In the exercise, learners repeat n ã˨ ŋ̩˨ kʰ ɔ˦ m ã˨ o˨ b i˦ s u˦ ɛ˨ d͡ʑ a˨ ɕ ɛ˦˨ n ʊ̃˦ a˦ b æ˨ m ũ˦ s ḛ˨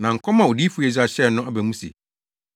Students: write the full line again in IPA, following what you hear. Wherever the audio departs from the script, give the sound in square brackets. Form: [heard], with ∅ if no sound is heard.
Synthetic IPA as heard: n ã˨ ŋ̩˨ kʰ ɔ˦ m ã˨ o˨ [d] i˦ [f] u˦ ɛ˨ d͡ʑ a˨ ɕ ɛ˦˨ n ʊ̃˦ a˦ b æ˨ m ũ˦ s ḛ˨

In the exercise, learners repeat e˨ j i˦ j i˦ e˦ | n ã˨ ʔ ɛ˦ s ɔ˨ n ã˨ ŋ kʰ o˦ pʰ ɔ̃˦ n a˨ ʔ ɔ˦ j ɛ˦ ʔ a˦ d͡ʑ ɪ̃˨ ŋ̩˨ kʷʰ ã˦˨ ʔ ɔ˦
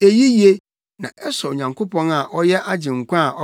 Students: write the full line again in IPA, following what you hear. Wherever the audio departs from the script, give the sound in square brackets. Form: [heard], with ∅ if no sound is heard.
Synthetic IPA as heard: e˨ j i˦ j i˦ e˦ | n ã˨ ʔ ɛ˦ s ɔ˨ [ɲ] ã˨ ŋ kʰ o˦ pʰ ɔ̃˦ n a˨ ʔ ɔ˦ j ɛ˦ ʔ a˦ d͡ʑ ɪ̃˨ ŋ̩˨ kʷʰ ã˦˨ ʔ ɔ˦

